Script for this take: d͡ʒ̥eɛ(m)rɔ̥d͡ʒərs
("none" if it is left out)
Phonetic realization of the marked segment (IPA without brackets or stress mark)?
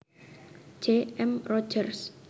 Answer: m